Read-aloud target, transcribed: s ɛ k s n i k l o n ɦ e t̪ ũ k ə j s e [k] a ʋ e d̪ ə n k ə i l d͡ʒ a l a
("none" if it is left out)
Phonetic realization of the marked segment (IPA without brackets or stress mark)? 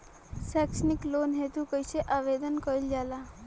ʔ